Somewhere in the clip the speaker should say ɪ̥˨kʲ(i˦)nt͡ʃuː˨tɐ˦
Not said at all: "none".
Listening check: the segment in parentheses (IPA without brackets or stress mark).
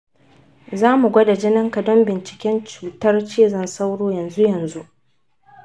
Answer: ɛ˦